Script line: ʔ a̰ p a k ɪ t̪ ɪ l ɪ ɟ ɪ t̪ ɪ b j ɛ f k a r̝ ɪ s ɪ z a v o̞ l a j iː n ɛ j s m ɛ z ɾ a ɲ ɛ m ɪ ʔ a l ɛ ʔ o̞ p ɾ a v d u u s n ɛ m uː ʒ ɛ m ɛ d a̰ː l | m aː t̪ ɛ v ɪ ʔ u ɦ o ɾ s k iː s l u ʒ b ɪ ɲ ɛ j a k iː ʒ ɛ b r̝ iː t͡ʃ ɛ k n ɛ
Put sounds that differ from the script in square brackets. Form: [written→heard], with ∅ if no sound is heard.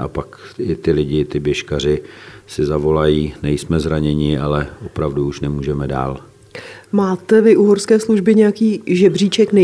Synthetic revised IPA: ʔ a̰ p a k ɪ t̪ ɪ l ɪ ɟ ɪ t̪ ɪ b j ɛ [f→ʃ] k a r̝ ɪ s ɪ z a v o̞ l a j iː n ɛ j s m ɛ z ɾ a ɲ ɛ [m→ɲ] ɪ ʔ a l ɛ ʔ o̞ p ɾ a v d u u [s→ʃ] n ɛ m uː ʒ ɛ m ɛ d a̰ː l | m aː t̪ ɛ v ɪ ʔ u ɦ o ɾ s k [iː→ɛː] s l u ʒ b ɪ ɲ ɛ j a k iː ʒ ɛ b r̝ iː t͡ʃ ɛ k n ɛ